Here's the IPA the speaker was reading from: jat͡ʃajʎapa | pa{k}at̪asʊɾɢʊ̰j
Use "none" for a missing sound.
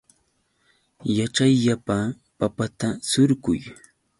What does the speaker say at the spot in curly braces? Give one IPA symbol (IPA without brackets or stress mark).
p